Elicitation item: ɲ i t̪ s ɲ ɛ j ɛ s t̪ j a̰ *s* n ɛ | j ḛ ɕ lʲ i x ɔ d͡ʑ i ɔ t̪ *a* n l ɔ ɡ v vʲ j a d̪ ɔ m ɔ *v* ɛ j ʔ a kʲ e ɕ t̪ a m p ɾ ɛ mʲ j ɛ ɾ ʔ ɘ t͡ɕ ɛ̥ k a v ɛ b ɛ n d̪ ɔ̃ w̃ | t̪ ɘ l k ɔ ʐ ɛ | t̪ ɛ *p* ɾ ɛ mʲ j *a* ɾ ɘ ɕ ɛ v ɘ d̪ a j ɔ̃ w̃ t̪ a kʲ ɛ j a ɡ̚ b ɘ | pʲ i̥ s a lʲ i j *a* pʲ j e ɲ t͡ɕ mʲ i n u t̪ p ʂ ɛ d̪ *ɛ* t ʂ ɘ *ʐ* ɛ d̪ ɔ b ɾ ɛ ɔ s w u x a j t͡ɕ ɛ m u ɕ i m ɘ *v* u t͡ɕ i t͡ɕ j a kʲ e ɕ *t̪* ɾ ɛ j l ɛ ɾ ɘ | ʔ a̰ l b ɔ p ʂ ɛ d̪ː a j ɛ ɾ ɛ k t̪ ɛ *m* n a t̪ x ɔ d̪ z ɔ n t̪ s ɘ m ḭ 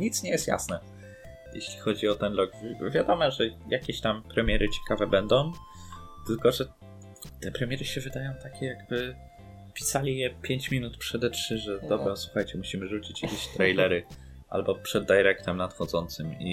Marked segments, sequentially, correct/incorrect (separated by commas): correct, incorrect, incorrect, correct, incorrect, incorrect, correct, correct, incorrect, correct, correct